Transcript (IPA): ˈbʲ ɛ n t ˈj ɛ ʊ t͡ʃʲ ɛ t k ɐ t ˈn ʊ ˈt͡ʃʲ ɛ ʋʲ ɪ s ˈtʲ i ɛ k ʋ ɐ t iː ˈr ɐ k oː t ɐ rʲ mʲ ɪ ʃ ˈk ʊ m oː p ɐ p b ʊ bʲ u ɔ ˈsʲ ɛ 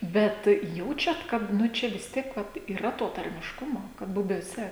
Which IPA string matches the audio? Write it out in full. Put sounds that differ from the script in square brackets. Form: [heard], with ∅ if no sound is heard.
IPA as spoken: ˈbʲ ɛ [∅] t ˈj ɛ ʊ t͡ʃʲ ɛ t k ɐ t ˈn ʊ ˈt͡ʃʲ ɛ ʋʲ ɪ s ˈtʲ i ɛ k ʋ ɐ t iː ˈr ɐ [t] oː t ɐ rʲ mʲ ɪ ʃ ˈk ʊ m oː [k] ɐ [t] b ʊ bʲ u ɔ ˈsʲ ɛ